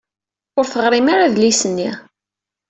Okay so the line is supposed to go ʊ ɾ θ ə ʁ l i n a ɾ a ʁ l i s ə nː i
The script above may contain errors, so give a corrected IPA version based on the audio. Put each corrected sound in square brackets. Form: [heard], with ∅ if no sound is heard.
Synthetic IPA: ʊ ɾ θ ə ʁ [ɾ] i [m] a ɾ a [ð] l i s ə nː i